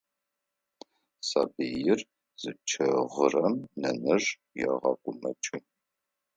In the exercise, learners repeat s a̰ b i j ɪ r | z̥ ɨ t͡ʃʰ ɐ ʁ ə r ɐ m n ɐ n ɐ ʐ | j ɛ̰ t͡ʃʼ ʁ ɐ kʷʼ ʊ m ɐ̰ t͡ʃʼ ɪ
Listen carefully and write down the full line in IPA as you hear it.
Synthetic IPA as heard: s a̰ b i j ɪ r | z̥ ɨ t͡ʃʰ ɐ ʁ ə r ɐ m n ɐ n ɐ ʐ | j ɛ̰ ʁ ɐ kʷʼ ʊ m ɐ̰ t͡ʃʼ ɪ